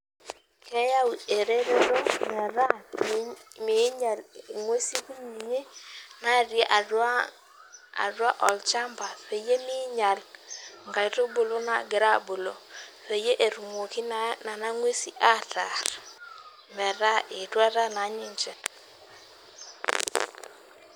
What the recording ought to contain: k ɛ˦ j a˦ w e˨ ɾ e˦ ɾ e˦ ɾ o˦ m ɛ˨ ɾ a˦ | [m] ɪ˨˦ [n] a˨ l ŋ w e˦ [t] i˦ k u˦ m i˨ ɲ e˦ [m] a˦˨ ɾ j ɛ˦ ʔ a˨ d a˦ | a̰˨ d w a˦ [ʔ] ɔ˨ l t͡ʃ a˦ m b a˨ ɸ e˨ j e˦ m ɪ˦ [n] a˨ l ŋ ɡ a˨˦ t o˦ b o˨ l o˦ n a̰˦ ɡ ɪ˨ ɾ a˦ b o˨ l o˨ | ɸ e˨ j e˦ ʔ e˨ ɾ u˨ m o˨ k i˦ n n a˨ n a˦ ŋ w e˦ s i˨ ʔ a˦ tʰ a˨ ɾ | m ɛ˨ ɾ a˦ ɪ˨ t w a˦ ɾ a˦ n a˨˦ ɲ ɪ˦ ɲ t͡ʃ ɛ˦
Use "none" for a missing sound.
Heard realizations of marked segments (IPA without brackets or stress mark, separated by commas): m, ɲ, s, n, ʔ, ɲ